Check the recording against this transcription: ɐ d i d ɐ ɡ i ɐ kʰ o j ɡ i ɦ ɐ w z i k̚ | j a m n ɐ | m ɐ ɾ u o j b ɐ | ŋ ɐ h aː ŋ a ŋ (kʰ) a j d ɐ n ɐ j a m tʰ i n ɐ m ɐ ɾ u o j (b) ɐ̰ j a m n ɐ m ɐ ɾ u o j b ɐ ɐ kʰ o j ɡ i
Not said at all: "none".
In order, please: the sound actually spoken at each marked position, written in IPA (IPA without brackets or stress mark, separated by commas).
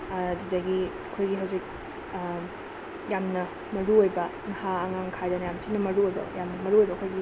kʰ, b